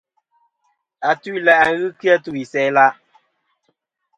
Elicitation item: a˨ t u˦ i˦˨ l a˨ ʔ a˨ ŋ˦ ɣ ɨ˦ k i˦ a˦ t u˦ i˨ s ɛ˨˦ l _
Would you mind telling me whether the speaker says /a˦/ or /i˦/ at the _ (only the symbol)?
a˦